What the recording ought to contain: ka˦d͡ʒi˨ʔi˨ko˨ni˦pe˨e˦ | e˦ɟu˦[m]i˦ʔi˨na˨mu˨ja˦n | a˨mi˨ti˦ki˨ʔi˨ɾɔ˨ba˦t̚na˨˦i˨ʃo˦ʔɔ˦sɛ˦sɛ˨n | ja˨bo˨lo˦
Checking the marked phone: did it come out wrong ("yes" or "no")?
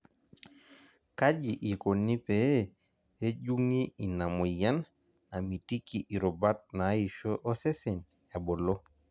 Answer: yes